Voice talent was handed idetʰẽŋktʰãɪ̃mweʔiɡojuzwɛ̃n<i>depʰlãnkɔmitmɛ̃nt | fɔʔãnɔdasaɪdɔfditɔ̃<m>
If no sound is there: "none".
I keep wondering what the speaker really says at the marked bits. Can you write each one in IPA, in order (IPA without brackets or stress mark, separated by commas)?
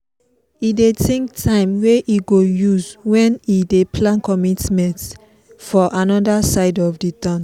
i, n